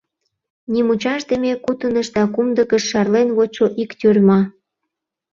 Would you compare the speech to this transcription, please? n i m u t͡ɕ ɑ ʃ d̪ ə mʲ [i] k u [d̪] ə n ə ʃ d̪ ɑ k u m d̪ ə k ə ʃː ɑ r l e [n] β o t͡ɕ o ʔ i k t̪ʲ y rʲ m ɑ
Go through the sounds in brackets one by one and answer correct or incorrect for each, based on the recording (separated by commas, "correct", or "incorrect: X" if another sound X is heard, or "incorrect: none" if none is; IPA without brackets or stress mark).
incorrect: e, incorrect: t̪, correct